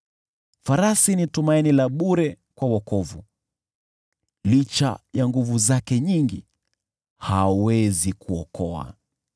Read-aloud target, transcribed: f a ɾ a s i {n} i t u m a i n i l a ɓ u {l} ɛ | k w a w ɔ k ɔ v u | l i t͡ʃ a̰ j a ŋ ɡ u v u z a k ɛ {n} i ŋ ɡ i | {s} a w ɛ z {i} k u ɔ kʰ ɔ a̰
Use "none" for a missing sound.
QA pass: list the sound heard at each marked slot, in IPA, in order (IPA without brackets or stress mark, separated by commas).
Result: n, ɾ, ɲ, h, i